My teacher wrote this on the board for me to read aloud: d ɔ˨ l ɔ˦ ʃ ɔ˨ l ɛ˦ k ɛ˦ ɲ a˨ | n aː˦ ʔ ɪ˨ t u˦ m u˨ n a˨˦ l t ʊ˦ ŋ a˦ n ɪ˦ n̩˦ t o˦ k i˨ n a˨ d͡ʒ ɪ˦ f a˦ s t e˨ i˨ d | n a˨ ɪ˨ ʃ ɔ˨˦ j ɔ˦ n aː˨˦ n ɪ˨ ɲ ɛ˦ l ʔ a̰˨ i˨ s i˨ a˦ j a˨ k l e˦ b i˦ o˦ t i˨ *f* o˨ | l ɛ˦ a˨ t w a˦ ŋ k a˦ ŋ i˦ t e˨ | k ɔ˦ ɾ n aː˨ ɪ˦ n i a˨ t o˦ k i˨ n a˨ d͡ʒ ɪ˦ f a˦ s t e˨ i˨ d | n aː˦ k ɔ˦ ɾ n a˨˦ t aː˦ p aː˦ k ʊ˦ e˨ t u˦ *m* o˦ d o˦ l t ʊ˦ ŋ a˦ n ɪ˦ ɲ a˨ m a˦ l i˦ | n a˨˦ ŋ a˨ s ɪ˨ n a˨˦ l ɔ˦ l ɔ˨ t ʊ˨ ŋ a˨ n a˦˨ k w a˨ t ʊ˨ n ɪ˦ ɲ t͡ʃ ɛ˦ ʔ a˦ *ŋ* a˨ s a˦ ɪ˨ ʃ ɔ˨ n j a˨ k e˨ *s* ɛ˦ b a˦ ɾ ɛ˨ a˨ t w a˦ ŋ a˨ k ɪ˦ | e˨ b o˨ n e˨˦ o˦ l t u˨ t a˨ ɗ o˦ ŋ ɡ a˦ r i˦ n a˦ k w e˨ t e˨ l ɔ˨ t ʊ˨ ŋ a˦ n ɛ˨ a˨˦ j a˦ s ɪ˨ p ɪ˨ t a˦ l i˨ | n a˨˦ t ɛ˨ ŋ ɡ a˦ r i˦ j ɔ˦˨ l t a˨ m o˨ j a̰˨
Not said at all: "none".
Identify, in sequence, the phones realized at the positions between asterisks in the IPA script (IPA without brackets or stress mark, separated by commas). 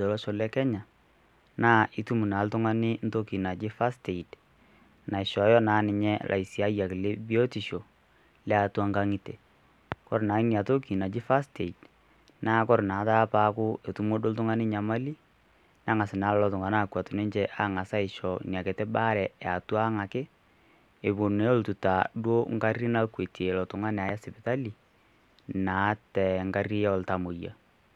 ʃ, m, ŋ, t